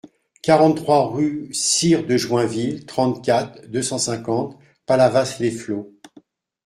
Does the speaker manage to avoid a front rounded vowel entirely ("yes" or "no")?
no